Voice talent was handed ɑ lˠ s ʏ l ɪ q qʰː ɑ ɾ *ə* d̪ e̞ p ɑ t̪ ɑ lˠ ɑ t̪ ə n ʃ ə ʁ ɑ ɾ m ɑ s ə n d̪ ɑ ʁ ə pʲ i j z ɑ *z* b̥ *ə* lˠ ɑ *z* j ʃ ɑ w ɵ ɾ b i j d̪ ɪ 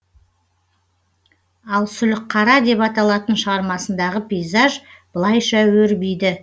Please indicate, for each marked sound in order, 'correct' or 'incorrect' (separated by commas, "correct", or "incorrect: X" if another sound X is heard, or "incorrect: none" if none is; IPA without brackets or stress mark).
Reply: incorrect: ɑ, incorrect: ʒ, correct, incorrect: none